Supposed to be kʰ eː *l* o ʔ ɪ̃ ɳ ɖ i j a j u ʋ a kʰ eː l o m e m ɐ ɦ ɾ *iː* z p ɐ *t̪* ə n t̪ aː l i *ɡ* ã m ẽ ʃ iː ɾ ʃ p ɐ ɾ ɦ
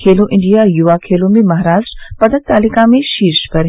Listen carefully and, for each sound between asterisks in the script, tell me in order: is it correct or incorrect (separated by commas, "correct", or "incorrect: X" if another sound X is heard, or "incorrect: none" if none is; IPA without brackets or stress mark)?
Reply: correct, incorrect: aː, incorrect: d̪, incorrect: k